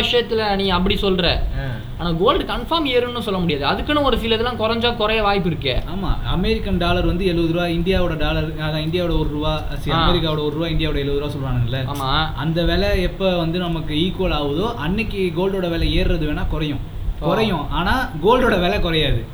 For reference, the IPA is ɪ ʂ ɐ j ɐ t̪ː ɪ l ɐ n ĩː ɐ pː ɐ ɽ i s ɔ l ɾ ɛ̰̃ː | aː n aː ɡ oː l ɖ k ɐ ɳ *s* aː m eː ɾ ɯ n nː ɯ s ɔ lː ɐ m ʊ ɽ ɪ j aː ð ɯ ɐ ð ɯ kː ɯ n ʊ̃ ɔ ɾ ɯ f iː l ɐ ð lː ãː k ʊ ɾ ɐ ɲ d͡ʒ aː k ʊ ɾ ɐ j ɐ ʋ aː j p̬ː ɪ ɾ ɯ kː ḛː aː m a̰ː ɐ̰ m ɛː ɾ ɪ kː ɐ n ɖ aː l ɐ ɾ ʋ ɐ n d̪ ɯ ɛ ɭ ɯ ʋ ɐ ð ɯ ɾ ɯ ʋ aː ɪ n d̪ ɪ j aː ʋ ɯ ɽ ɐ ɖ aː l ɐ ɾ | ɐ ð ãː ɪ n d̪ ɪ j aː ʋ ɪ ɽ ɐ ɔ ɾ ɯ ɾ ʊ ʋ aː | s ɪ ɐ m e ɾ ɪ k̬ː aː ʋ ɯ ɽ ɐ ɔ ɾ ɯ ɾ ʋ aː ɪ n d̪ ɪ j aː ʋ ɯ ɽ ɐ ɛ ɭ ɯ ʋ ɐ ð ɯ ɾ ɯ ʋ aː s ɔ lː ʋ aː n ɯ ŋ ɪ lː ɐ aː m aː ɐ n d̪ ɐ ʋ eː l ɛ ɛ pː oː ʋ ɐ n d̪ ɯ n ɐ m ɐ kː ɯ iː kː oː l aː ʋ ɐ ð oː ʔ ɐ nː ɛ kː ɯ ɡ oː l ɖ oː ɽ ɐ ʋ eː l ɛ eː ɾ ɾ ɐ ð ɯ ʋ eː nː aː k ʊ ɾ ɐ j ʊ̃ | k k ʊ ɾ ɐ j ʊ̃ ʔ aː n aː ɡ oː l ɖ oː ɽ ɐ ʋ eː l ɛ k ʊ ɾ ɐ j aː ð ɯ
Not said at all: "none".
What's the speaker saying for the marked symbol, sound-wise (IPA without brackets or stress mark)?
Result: f